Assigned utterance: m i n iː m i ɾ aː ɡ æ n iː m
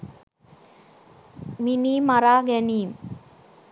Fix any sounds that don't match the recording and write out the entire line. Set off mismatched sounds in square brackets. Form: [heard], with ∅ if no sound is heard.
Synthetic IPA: m i n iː m [a] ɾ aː ɡ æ n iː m